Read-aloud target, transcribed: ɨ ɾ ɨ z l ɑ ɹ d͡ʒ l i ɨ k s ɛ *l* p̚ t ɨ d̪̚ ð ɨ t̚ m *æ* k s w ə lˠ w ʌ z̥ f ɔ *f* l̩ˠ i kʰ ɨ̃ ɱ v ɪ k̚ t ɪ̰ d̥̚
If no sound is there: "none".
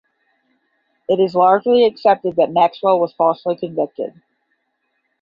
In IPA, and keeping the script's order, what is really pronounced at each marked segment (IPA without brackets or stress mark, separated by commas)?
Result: none, æ, s